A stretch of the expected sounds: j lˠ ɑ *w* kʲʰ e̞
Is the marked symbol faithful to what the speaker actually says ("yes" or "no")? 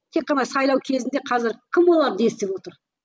yes